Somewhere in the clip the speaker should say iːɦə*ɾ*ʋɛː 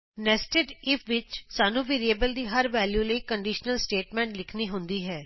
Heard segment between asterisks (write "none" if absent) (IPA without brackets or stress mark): ɾ